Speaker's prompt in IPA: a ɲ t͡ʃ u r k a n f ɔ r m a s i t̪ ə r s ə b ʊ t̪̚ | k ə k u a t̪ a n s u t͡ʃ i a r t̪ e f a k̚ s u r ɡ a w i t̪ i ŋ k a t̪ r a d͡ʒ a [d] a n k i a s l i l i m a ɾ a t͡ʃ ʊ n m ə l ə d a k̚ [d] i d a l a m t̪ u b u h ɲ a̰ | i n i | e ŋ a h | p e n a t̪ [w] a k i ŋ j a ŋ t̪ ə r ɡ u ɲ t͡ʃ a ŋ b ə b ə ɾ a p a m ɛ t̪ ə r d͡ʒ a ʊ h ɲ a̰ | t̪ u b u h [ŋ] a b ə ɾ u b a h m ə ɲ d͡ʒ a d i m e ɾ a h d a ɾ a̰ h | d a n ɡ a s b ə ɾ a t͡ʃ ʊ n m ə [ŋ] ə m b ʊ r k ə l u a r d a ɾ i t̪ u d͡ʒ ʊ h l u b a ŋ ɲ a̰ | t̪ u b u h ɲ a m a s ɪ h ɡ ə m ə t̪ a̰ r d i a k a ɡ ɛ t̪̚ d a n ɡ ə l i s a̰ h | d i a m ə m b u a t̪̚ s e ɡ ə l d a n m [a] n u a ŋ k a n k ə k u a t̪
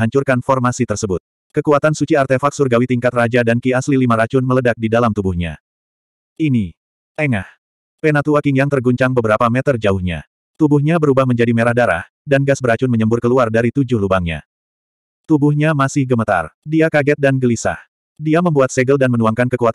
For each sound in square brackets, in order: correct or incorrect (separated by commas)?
correct, correct, incorrect, incorrect, incorrect, incorrect